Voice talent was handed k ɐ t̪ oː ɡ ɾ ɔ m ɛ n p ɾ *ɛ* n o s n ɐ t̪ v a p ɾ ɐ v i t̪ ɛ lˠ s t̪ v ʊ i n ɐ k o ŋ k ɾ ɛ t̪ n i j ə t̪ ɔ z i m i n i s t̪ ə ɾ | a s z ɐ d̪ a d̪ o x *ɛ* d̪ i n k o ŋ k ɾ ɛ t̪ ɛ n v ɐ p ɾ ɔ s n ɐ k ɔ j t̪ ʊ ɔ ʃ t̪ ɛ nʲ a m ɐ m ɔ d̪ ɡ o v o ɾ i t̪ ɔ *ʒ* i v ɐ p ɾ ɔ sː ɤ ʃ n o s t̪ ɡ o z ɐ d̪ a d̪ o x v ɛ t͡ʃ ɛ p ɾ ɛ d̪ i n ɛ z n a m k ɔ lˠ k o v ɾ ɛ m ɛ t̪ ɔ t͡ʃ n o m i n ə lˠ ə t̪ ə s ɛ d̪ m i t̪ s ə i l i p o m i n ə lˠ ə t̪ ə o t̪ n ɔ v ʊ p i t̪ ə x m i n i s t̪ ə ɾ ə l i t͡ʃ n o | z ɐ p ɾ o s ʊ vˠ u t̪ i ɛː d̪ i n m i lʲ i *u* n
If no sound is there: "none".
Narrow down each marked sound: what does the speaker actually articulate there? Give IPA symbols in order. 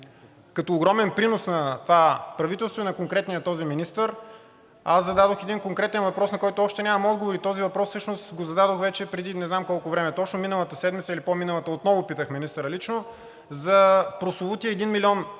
i, ɛ, z, ɔ

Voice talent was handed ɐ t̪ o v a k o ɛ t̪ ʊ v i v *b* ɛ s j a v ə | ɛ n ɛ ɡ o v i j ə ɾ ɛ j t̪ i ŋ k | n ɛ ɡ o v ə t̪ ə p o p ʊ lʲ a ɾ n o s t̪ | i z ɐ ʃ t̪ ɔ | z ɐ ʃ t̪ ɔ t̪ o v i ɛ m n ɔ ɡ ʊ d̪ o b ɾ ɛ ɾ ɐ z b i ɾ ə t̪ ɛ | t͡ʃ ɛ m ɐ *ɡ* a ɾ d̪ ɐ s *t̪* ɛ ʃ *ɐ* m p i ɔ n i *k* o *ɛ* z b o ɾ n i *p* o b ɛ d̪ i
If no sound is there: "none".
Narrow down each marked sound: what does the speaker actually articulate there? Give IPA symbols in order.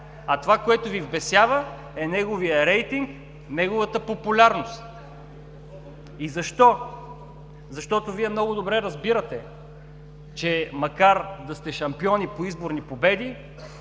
b, k, t̪, ɐ, p, i, p

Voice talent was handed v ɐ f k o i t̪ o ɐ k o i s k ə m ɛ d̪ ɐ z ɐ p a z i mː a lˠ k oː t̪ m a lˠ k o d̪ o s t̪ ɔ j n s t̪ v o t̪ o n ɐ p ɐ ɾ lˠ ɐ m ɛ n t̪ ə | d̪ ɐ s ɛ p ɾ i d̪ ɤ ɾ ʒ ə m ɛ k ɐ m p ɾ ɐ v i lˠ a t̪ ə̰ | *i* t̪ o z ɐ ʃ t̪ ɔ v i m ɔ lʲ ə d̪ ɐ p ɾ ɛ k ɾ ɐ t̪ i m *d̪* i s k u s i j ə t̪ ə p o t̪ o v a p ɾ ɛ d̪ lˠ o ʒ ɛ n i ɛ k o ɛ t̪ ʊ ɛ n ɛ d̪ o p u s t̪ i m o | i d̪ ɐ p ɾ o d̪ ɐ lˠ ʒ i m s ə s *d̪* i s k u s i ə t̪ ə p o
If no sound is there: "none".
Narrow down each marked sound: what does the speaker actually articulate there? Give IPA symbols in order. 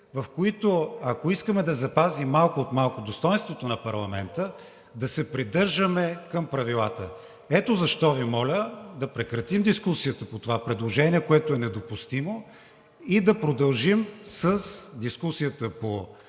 ɛ, d̪, d̪

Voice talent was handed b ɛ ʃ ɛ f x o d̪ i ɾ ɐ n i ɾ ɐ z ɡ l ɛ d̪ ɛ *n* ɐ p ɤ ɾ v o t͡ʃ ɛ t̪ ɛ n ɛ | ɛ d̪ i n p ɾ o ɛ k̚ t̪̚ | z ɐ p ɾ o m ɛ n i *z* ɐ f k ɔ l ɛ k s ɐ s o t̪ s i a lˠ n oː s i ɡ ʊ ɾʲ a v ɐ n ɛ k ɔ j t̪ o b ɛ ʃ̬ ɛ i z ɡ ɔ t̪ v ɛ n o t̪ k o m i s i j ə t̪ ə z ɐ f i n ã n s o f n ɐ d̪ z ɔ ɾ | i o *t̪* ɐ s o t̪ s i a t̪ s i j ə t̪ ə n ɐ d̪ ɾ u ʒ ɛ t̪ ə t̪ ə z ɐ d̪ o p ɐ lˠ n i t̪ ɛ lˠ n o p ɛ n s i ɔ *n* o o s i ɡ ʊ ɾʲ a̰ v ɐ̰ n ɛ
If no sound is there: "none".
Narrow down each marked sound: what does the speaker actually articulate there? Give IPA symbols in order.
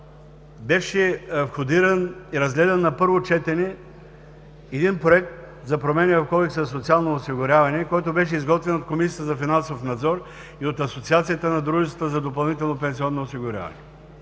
nː, v, t̪, nː

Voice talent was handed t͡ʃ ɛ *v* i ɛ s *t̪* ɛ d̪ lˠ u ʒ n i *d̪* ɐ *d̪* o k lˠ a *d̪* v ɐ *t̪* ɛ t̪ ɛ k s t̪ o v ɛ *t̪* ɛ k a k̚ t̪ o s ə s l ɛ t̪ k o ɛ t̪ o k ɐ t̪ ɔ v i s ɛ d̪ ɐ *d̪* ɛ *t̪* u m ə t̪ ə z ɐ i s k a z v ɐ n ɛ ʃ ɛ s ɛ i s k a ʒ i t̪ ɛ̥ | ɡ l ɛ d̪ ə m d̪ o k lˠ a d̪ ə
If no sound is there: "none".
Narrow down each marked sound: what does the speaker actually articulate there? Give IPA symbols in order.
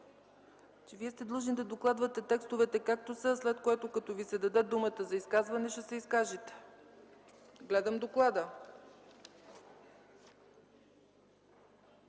v, t̪, d̪, d̪, d̪, t̪, t̪, d̪, d̪

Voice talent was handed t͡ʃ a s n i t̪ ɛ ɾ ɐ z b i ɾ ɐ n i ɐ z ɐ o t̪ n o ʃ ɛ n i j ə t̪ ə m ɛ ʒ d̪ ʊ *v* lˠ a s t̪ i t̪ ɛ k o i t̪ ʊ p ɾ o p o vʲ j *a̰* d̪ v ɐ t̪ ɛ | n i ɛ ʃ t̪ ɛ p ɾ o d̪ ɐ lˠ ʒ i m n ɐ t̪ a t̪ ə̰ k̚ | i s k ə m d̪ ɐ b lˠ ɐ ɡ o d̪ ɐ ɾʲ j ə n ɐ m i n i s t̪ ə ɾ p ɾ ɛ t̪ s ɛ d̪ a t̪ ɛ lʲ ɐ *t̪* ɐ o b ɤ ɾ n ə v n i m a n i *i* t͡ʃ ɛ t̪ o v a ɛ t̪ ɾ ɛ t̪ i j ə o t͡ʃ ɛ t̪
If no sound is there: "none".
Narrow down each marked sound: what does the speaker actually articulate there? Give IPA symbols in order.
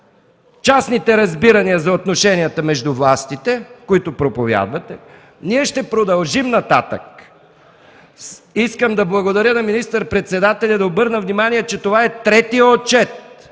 v, a̰, d̪, ɛ

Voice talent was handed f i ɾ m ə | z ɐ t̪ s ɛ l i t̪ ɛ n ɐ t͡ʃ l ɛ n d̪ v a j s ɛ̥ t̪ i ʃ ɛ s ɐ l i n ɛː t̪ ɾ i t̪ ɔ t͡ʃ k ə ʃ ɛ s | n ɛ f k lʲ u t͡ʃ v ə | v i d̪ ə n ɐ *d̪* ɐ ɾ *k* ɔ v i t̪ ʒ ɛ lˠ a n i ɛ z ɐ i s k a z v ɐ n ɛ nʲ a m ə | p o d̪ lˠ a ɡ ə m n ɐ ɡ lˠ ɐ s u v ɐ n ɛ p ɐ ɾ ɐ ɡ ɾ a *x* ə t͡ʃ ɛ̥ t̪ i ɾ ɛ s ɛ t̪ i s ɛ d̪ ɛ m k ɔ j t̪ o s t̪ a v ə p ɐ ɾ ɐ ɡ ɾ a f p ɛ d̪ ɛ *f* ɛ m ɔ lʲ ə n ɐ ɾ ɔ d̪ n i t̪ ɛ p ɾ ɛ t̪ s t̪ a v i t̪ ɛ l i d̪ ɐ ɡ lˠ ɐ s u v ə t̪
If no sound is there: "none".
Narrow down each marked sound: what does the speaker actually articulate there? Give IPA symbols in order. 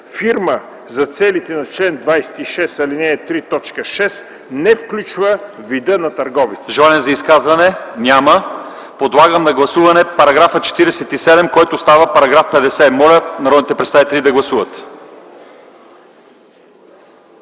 t̪, ɡ, f, s

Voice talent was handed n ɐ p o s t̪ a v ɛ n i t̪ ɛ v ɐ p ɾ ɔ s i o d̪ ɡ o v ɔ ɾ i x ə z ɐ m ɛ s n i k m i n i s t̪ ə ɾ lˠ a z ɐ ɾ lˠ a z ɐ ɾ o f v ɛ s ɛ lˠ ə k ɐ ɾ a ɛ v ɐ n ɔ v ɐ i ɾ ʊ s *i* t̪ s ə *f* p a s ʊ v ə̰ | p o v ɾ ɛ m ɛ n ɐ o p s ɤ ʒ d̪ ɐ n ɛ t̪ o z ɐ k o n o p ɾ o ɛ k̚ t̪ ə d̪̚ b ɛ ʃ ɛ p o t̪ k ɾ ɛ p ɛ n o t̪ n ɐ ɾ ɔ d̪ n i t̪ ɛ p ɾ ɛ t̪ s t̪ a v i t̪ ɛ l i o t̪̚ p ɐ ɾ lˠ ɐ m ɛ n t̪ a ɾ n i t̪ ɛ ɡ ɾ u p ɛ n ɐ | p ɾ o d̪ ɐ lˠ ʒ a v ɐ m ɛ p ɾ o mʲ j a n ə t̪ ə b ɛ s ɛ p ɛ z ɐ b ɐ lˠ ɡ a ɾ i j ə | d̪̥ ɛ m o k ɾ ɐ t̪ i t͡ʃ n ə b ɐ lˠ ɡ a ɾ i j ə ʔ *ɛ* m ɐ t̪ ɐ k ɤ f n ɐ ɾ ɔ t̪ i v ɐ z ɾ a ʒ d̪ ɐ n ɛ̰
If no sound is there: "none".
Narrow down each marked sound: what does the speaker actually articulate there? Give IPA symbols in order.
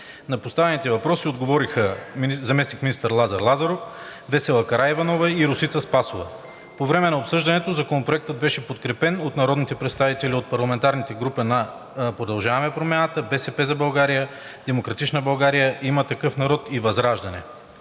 i, s, i

